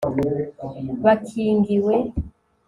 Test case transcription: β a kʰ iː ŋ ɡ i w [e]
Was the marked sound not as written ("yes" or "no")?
no